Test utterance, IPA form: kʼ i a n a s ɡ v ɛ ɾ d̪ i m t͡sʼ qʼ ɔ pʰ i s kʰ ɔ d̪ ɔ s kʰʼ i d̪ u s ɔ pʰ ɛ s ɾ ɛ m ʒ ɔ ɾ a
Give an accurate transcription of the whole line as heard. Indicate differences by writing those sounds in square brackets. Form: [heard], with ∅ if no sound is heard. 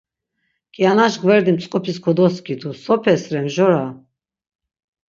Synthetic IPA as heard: kʼ i a n a [ʃ] ɡ v ɛ ɾ d̪ i m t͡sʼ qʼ ɔ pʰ i s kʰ ɔ d̪ ɔ s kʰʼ i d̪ u s ɔ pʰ ɛ s ɾ ɛ m ʒ ɔ ɾ a

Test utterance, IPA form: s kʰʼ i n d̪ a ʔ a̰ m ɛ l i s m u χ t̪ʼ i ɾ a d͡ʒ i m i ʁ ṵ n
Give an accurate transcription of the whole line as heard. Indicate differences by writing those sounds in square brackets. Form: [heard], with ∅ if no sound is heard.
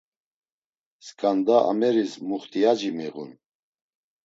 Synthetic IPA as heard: s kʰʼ [a] n d̪ a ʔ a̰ m ɛ [ɾ] i s m u χ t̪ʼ i [∅] a d͡ʒ i m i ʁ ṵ n

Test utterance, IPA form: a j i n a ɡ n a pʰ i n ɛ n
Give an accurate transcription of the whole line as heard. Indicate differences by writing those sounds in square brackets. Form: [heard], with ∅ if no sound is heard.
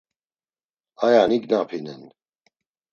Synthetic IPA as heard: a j [a] n [i] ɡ n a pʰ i n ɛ n

